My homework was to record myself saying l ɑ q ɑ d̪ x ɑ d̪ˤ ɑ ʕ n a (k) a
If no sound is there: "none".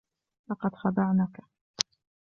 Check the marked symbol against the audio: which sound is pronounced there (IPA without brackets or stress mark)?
k